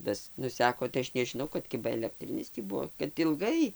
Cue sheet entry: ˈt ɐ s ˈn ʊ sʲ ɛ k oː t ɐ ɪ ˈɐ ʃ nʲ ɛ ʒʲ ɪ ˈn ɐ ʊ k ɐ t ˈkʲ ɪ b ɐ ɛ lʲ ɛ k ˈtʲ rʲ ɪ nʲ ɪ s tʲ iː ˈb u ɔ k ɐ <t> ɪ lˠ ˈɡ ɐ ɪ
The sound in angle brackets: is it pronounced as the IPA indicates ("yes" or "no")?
yes